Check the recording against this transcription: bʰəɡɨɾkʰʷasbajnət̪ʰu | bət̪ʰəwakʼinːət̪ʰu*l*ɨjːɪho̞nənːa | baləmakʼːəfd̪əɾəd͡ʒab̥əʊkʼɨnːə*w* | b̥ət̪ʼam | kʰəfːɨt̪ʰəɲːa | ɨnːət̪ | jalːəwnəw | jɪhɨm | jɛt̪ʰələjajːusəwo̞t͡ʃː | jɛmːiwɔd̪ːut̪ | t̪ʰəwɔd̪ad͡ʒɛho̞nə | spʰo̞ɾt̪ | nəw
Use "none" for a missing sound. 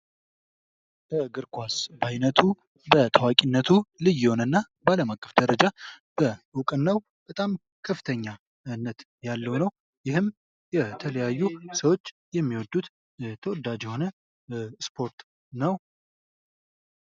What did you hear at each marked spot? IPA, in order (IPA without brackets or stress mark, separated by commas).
l, w